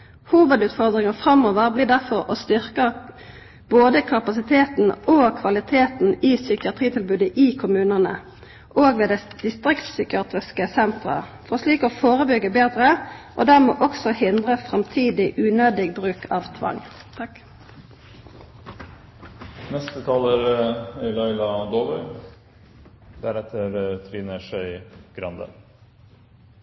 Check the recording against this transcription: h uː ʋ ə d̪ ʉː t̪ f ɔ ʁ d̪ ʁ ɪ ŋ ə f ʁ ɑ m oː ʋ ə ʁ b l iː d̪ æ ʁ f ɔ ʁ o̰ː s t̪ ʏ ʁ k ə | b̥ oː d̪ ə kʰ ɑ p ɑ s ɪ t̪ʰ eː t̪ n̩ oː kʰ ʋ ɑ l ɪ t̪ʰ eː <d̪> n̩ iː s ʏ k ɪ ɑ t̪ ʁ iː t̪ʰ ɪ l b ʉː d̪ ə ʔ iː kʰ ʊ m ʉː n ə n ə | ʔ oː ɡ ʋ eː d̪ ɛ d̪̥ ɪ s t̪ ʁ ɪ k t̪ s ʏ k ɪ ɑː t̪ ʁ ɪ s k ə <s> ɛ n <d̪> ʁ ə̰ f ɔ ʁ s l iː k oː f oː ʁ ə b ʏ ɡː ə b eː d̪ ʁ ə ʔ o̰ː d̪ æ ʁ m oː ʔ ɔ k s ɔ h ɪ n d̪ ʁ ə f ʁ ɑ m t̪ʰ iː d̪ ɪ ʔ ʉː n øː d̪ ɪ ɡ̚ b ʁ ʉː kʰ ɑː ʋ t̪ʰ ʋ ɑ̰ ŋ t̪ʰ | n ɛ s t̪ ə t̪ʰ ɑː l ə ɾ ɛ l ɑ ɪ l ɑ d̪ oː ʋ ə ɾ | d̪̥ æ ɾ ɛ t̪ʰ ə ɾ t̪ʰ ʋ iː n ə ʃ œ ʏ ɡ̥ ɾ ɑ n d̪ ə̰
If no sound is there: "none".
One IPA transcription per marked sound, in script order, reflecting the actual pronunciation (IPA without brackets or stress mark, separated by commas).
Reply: t̪, s, t̪